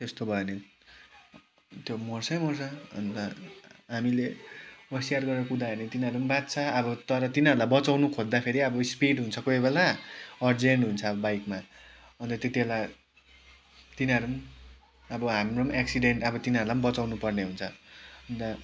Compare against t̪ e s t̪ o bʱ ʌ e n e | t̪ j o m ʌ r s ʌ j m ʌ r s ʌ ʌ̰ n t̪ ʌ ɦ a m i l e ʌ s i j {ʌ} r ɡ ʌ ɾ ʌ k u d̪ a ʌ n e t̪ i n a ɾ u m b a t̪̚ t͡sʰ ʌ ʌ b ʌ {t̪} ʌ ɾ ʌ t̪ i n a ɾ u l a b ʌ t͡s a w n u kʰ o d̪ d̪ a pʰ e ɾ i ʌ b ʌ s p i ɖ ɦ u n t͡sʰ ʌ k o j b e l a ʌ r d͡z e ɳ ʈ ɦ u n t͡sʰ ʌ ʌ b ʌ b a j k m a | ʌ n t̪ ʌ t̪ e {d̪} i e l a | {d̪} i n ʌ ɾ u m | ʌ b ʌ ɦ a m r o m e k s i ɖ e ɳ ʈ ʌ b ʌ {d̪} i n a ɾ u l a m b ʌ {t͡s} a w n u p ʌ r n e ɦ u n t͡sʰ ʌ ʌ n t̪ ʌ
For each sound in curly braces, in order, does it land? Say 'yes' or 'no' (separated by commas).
no, yes, no, no, no, yes